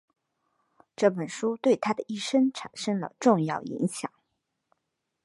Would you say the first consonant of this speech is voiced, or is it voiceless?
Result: voiceless